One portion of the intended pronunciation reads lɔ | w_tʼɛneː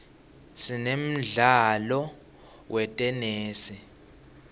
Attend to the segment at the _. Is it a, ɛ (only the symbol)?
ɛ